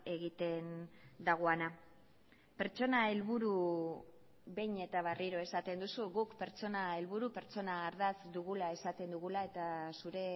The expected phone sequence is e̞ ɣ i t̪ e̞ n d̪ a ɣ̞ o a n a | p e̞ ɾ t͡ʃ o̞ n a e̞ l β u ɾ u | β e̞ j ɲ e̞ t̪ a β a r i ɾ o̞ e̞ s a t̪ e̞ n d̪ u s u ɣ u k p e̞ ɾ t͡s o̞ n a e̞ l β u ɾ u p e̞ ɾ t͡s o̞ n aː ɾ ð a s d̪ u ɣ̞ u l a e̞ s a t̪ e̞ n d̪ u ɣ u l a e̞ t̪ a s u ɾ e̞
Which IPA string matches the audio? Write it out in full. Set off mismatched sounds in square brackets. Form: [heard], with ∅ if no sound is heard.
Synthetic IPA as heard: e̞ ɣ i t̪ e̞ n d̪ a ɣ̞ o a n a | p e̞ ɾ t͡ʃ o̞ n a e̞ l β u ɾ u | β e̞ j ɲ e̞ t̪ a β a r i ɾ o̞ e̞ s a t̪ e̞ n d̪ u s u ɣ u k p e̞ ɾ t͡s o̞ n a e̞ l β u ɾ u p e̞ ɾ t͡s o̞ n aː ɾ ð a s d̪ u ɣ̞ u l a e̞ s a t̪ e̞ n d̪ u ɣ u l a e̞ t̪ a s u ɾ e̞